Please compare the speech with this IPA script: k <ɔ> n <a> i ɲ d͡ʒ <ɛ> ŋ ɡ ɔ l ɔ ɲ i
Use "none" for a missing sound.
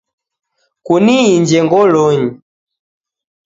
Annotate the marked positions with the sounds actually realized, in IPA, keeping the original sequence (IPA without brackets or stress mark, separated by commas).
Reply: u, i, ɛ